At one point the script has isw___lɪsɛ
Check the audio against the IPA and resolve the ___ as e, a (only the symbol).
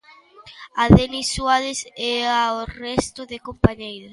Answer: a